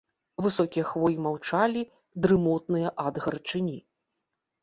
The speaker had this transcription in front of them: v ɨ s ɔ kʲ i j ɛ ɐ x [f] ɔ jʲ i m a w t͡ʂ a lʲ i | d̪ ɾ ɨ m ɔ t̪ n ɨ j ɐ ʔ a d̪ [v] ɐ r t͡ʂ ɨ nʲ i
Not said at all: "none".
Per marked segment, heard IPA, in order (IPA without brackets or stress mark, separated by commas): v, ɣ